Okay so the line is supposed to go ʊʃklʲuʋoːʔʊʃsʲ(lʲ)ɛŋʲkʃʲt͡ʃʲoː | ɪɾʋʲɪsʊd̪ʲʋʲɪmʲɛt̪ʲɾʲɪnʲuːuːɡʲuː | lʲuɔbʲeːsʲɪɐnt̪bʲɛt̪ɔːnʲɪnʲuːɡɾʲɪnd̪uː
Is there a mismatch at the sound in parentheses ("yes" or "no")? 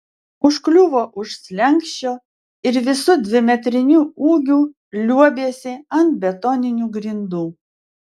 no